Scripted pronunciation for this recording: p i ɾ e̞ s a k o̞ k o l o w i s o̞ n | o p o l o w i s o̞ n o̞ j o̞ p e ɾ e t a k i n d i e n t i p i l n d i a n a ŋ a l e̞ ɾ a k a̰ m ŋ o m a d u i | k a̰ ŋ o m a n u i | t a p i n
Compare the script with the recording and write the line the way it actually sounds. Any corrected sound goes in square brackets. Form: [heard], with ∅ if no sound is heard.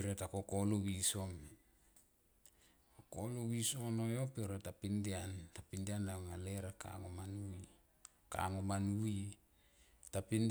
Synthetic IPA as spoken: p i ɾ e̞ [t] a k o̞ k o l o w i s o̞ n | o [k] o l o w i s o̞ n o̞ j o̞ p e ɾ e t a [p] i n d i [a] n t [a] p i [∅] n d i a n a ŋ a l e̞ ɾ a k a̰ [∅] ŋ o m a [n] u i | k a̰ ŋ o m a n u i | t a p i n